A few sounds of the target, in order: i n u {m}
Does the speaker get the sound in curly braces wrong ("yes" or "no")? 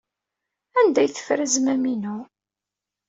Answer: yes